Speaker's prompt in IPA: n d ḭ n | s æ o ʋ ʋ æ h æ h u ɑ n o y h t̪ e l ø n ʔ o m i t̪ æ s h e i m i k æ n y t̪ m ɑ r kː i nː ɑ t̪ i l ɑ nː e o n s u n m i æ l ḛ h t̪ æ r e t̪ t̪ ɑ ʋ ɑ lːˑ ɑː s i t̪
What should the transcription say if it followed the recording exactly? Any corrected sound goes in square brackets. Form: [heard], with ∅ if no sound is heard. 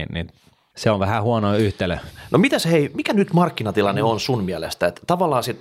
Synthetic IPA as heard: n [n] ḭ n | s [e] o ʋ ʋ æ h æ h u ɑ n o y h t̪ e l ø n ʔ o m i t̪ æ s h e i m i k æ n y t̪ m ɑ r kː i [n] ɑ t̪ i l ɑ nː e o n s u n m i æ l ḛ [s] t̪ æ [∅] e t̪ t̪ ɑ ʋ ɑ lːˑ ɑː s i t̪